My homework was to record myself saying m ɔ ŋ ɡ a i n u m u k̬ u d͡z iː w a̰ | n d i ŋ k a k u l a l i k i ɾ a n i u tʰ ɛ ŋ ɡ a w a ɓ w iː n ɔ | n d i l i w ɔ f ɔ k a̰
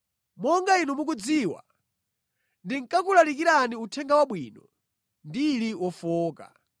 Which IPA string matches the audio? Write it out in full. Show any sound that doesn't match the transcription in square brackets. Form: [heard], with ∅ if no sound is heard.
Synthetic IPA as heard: m ɔ ŋ ɡ a i n u m u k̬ u d͡z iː w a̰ | n d i ŋ k a k u l a l i k i ɾ a n i u tʰ ɛ ŋ ɡ a w a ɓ w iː n ɔ | n d i l i w ɔ f [ɔː] k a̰